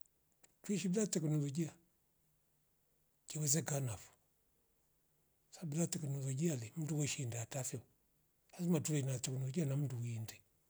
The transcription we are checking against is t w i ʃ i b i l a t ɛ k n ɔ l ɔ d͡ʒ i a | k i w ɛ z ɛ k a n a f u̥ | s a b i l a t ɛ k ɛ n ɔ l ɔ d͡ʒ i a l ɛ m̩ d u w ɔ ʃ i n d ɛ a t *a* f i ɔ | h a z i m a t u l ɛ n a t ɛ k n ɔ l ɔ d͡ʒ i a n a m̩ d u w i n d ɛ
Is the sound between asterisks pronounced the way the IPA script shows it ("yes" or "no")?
yes